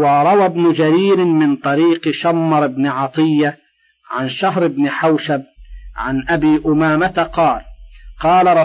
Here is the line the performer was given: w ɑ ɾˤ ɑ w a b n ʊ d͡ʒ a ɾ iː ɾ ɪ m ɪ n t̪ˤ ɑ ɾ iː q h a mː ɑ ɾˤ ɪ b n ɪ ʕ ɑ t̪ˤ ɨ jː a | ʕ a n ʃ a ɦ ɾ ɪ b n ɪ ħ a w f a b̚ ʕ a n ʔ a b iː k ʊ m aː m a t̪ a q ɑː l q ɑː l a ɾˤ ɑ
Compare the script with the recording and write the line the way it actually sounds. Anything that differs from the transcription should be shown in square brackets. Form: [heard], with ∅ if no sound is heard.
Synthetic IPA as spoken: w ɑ ɾˤ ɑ w a b n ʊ d͡ʒ a ɾ iː ɾ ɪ m ɪ n t̪ˤ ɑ ɾ iː q [ʃ] a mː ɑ ɾˤ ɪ b n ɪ ʕ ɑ t̪ˤ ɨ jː a | ʕ a n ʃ a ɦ ɾ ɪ b n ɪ ħ a w [ʃ] a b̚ ʕ a n ʔ a b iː [ʔ] ʊ m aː m a t̪ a q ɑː l q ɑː l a ɾˤ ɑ